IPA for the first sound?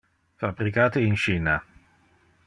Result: f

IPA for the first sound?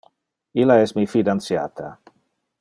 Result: i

